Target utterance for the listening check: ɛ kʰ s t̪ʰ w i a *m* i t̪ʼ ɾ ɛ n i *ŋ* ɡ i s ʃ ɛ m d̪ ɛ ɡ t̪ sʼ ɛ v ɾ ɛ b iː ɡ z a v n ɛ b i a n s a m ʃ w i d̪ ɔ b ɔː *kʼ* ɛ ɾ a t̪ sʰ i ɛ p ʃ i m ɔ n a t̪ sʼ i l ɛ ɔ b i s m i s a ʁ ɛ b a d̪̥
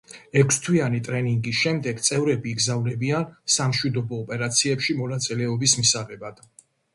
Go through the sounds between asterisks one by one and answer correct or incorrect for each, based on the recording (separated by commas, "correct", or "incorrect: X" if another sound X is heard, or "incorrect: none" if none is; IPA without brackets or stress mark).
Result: incorrect: n, correct, incorrect: pʼ